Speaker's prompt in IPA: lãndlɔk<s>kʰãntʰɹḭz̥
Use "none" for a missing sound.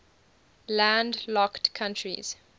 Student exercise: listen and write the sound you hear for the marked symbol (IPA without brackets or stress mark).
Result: t